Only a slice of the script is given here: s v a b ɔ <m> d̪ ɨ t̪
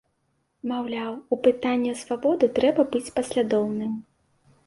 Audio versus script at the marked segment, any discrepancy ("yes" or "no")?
yes